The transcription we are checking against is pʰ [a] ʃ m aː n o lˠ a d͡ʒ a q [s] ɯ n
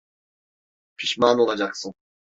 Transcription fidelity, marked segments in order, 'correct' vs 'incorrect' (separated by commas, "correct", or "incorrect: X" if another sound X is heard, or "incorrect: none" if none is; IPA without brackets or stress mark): incorrect: i, correct